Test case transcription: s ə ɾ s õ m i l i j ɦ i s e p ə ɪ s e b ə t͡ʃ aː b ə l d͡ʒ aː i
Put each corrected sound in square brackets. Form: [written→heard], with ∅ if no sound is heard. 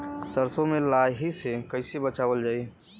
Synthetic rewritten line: s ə ɾ s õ m [i→e] l [i→a] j ɦ i s e [p→k] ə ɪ s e b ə t͡ʃ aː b ə l d͡ʒ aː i

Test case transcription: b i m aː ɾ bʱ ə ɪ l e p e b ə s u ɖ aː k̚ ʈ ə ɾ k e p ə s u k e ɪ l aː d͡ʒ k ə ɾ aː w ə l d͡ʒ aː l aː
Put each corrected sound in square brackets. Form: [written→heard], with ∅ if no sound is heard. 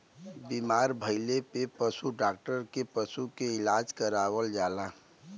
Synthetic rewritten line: b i m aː ɾ bʱ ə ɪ l e p e [b→p] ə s u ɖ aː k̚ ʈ ə ɾ k e p ə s u k e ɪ l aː d͡ʒ k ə ɾ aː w ə l d͡ʒ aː l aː

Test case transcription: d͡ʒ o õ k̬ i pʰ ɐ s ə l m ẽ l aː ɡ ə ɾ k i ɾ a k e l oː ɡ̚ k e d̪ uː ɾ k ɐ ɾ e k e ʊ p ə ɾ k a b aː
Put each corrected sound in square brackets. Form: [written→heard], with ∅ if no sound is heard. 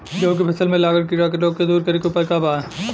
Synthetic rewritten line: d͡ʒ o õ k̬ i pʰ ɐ s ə l m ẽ l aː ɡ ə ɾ k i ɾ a k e l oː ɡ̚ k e d̪ uː ɾ k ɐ ɾ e k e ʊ p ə ɾ k a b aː

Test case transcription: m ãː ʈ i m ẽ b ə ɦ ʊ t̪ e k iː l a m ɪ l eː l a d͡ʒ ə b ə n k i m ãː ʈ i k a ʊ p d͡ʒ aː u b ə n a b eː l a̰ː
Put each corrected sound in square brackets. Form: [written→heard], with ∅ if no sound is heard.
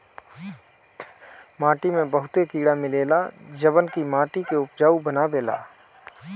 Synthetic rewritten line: m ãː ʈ i m ẽ b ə ɦ ʊ t̪ e k iː [l→ɽ] a m ɪ l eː l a d͡ʒ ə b ə n k i m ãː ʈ i k [a→e] ʊ p d͡ʒ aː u b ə n a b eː l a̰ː

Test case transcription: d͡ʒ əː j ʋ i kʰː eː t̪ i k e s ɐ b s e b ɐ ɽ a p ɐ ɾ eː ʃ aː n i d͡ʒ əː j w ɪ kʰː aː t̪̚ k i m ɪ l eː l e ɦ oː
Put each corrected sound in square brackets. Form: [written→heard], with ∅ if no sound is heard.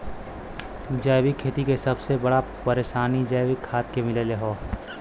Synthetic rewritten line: d͡ʒ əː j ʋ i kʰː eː t̪ i k e s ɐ b s e b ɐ ɽ a p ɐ ɾ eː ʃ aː n i d͡ʒ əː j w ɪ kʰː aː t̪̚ k [i→e] m ɪ l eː l e ɦ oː

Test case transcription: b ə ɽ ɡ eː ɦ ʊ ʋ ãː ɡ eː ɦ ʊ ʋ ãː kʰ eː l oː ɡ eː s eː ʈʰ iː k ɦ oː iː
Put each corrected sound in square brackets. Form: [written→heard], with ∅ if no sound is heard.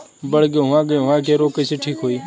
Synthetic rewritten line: b ə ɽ ɡ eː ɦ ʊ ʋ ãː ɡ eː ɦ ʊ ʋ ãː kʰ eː [l→ɾ] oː [ɡ→k] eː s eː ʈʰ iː k ɦ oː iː

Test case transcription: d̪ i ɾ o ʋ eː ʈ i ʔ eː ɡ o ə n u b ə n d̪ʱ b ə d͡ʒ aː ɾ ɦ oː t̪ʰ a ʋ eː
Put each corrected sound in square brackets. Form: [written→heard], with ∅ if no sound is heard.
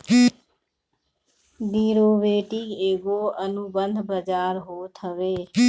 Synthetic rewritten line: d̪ i ɾ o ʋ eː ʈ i [ʔ→k] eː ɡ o ə n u b ə n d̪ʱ b ə d͡ʒ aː ɾ ɦ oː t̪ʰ [a→ə] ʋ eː

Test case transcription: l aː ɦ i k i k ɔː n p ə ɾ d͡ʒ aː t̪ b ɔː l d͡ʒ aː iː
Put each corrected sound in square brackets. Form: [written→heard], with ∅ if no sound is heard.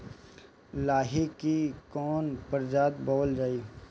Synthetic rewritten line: l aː ɦ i k i k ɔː n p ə ɾ d͡ʒ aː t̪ b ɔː l d͡ʒ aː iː

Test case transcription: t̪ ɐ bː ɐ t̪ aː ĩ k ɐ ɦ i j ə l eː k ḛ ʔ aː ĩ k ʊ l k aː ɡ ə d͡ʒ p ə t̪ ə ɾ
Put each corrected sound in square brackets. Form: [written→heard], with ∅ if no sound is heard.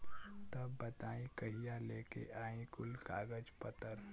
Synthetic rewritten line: t̪ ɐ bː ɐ t̪ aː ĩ k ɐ ɦ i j [ə→a] l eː k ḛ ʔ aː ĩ k ʊ l k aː ɡ ə d͡ʒ p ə t̪ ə ɾ

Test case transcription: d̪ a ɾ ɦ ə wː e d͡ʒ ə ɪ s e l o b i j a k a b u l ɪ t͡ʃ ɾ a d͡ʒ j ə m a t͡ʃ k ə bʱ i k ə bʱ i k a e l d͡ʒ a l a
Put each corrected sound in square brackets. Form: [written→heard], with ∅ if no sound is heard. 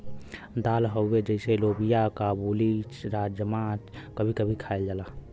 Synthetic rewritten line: d̪ a [ɾ→l] ɦ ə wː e d͡ʒ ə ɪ s e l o b i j a k a b u l [ɪ→i] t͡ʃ ɾ a d͡ʒ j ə m a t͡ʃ k ə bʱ i k ə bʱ i [k→kʰ] a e l d͡ʒ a l a

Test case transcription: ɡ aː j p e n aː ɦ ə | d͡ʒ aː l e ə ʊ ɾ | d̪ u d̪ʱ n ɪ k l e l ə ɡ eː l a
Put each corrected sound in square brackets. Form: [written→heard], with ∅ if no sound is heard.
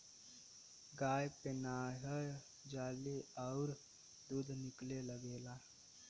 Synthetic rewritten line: ɡ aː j p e n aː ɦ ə | d͡ʒ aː l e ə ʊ ɾ | d̪ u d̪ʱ n ɪ k l e l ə ɡ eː l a

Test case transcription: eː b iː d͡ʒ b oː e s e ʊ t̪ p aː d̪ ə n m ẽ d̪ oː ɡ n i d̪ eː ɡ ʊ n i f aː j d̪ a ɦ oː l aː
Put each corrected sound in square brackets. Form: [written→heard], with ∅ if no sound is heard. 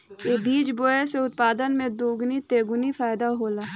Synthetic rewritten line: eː b iː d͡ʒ b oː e s e ʊ t̪ p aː d̪ ə n m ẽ d̪ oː ɡ n i [d̪→t̪] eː ɡ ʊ n i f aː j d̪ a ɦ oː l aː

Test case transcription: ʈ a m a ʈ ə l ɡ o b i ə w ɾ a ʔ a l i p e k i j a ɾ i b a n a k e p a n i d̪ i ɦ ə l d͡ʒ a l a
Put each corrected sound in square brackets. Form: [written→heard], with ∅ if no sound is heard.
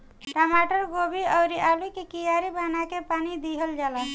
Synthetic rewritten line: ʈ a m a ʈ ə [l→ɾ] ɡ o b i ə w ɾ [a→i] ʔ a l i [p→k] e k i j a ɾ i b a n a k e p a n i d̪ i ɦ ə l d͡ʒ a l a

